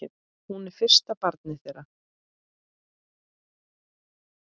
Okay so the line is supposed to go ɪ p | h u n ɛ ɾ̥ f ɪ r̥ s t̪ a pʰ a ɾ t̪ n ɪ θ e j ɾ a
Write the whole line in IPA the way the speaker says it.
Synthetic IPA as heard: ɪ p | h u n ɛ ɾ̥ f ɪ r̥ s t̪ a p a ɾ t̪ n ɪ θ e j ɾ a